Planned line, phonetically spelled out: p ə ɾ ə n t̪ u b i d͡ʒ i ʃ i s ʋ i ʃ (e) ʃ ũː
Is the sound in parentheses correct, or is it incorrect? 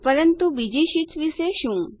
correct